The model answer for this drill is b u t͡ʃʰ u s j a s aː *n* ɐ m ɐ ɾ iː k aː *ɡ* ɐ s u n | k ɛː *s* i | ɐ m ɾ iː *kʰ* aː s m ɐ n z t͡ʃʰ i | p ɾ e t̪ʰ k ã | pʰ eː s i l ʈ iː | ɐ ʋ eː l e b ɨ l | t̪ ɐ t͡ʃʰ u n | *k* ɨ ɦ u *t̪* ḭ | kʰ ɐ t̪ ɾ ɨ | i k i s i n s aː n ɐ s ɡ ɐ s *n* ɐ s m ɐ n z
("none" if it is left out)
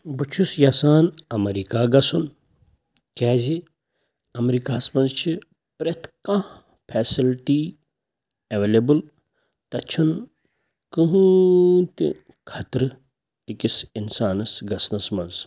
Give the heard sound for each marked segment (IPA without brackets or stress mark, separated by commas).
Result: n, ɡ, z, k, k, t̪, n